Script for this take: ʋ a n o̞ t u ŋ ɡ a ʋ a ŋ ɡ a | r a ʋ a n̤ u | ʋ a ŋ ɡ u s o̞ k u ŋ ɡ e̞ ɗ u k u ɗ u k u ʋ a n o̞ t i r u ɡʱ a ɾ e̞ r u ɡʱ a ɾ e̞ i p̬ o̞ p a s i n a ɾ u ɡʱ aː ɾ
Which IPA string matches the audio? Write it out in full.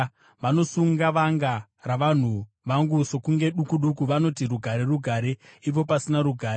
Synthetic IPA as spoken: ʋ a n o̞ s u ŋ ɡ a ʋ a ŋ ɡ a | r a ʋ a n̤ u | ʋ a ŋ ɡ u s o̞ k u ŋ ɡ e̞ ɗ u k u ɗ u k u ʋ a n o̞ t i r u ɡʱ a ɾ e̞ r u ɡʱ a ɾ e̞ i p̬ o̞ p a s i n a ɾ u ɡʱ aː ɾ